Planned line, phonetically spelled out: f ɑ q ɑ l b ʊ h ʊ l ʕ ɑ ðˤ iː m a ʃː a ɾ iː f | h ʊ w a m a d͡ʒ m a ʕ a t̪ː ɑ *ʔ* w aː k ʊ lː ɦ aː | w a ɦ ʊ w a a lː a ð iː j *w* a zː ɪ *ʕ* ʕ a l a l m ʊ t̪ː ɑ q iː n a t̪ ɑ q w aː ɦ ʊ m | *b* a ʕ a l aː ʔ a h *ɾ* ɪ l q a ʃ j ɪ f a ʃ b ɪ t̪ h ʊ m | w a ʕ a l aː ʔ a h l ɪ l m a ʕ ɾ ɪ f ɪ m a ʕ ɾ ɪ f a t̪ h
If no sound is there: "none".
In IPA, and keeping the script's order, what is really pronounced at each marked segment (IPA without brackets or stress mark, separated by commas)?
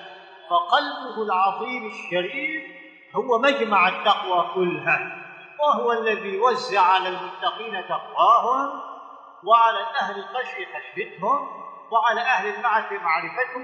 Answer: q, w, ʕ, w, l